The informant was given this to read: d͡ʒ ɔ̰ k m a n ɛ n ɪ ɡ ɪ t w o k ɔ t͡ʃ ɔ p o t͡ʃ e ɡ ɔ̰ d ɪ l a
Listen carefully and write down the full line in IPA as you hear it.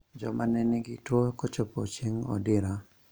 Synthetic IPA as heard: d͡ʒ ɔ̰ m a n ɛ n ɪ ɡ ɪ t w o k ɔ t͡ʃ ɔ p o t͡ʃ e ŋ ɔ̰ d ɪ ɾ a